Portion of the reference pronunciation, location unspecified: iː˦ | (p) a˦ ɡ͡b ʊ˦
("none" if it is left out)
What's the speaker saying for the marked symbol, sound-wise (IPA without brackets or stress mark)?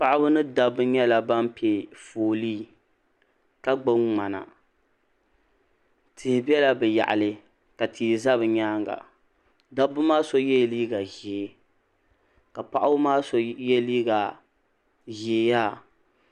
k